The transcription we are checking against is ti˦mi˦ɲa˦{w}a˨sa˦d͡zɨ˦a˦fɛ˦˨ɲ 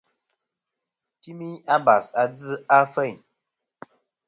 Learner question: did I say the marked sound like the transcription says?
no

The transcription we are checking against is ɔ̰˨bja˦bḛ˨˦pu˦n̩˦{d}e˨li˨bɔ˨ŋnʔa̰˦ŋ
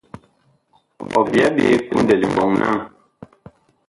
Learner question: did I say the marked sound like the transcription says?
yes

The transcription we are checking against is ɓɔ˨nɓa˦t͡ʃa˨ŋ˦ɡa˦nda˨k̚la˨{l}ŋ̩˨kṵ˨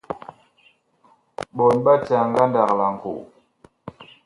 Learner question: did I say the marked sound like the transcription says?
no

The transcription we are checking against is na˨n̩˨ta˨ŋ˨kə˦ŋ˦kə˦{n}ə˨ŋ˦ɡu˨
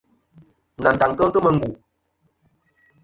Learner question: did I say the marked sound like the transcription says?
no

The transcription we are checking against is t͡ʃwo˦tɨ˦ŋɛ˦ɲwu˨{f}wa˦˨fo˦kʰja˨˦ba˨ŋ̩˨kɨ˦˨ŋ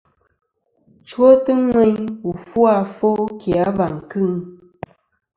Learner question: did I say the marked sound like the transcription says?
yes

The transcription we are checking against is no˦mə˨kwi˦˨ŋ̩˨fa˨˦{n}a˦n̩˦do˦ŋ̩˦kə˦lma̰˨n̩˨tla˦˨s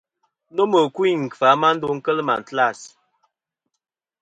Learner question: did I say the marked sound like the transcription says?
no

